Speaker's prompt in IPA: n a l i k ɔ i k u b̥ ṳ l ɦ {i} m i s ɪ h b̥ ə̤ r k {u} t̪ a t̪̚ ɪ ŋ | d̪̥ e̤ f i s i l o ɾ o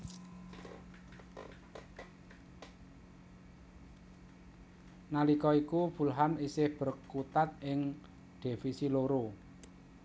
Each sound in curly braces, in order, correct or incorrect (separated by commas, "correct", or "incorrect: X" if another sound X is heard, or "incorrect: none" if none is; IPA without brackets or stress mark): incorrect: a, correct